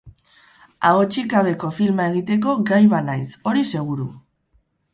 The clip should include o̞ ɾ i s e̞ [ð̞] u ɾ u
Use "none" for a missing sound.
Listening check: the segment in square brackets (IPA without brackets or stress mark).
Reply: ɣ̞